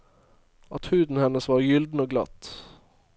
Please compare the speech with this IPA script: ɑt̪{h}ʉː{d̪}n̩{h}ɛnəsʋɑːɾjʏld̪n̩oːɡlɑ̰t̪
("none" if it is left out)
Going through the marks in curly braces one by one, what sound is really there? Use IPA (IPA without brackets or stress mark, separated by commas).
h, d̪, h